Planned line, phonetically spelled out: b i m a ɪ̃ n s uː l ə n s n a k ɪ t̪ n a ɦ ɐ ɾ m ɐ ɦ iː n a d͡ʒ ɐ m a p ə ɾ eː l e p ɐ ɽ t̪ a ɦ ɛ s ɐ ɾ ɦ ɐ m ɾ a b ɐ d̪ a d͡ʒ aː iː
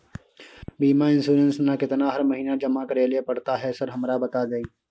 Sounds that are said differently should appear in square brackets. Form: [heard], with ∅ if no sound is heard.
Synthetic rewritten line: b [iː] m a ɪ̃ n s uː [ɾ] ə n s n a k ɪ t̪ n a ɦ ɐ ɾ m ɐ ɦ iː n a d͡ʒ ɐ m a [k] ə ɾ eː l e p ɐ ɽ t̪ a ɦ ɛ s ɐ ɾ ɦ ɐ m ɾ a b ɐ [t̪] a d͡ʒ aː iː

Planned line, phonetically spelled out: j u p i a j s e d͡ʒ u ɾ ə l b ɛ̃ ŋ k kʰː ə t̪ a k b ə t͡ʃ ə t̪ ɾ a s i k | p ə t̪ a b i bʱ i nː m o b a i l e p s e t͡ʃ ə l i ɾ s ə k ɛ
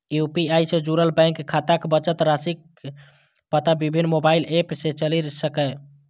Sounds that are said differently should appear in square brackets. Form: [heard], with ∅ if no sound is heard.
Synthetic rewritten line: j u p i a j s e d͡ʒ u ɾ ə l b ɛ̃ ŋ k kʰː [a] t̪ a k b ə t͡ʃ ə t̪ ɾ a s i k | p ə t̪ a b i bʱ i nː m o b a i l e p s e t͡ʃ ə l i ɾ s ə k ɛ

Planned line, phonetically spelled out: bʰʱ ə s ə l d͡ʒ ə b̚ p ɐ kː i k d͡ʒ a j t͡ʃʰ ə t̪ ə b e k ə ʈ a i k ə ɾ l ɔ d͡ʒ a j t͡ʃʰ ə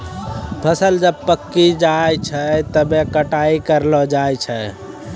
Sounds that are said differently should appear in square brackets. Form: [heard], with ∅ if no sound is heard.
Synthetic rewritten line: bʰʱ ə s ə l d͡ʒ ə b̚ p [ə] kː i [∅] d͡ʒ a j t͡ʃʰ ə t̪ ə b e k ə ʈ a i k ə ɾ l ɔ d͡ʒ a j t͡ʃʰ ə

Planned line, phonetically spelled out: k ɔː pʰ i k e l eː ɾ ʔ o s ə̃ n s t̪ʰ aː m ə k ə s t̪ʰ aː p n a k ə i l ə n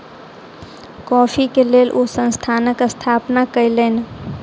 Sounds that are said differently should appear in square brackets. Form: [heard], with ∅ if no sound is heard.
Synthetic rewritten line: k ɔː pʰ i k e l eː [l] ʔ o s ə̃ n s t̪ʰ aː [n] ə k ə s t̪ʰ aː p n a k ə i l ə n

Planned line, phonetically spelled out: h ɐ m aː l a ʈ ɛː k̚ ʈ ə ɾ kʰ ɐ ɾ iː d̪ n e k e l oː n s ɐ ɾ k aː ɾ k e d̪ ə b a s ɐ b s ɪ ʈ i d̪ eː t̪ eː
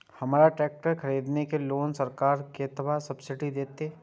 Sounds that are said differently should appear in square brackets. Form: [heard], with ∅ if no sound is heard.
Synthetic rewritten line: h ɐ m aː [ɾ] a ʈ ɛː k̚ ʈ ə ɾ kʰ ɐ ɾ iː d̪ n e k e l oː n s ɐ ɾ k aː ɾ k e [t̪] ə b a s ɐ b s ɪ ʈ i d̪ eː t̪ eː

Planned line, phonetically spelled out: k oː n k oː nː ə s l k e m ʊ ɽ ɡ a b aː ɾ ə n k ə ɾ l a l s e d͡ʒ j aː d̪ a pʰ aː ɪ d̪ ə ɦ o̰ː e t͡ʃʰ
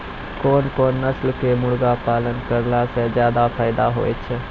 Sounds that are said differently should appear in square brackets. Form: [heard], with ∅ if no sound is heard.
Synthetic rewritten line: k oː n k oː nː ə s l k e m ʊ ɽ ɡ a [p] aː [l] ə n k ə ɾ l a [∅] s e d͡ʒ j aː d̪ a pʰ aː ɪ d̪ [a] ɦ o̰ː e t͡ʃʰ

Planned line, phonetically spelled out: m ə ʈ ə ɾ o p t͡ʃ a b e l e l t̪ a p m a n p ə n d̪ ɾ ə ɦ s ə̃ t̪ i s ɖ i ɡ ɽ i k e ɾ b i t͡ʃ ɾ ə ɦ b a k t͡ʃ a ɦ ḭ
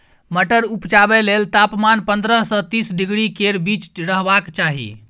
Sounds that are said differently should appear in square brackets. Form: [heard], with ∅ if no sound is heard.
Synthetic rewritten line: m ə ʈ ə ɾ [u] p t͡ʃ a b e l e l t̪ a p m a n p ə n d̪ ɾ ə ɦ s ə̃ t̪ i s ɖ i ɡ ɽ i k e ɾ b i t͡ʃ ɾ ə ɦ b a k t͡ʃ a ɦ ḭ

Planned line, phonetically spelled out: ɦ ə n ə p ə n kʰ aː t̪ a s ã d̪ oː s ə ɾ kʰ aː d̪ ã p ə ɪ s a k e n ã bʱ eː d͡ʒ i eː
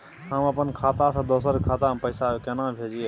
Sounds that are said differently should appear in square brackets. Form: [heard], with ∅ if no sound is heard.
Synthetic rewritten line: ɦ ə [m] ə p ə n kʰ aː t̪ a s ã d̪ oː s ə ɾ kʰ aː [t̪] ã p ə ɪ s a k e n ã bʱ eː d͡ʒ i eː

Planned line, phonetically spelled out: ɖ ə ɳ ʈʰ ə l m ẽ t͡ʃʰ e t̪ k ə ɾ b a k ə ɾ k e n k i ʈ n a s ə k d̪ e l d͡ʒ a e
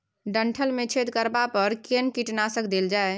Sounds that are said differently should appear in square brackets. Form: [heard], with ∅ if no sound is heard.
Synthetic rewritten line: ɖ ə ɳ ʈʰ ə l m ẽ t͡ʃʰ e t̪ k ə ɾ b a [p] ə ɾ k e n k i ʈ n a s ə k d̪ e l d͡ʒ a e

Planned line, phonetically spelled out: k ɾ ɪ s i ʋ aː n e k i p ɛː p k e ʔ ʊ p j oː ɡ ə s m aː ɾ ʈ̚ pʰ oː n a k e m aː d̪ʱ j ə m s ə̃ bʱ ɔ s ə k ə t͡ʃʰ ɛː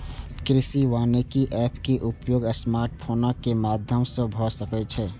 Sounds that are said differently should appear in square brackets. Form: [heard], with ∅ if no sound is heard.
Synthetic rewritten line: k ɾ ɪ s i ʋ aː n e k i [ʔ] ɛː p k e ʔ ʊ p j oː ɡ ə s m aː ɾ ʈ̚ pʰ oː n a k e m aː d̪ʱ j ə m s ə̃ bʱ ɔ s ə k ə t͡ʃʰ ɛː

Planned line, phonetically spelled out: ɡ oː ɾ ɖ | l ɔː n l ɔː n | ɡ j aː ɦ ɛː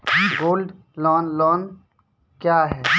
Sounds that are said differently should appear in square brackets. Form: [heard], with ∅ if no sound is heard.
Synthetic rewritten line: ɡ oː [l] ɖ | l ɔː n l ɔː n | [k] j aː ɦ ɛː

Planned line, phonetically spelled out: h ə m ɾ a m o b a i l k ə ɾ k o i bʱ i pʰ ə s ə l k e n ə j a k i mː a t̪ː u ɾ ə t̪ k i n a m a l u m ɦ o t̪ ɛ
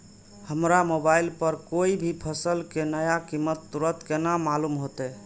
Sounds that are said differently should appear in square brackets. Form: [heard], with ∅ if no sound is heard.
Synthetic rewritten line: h ə m ɾ a m o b a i l [p] ə ɾ k o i bʱ i pʰ ə s ə l k e n ə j a k i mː [ə] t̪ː u ɾ ə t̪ k [e] n a m a l u m ɦ o t̪ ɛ

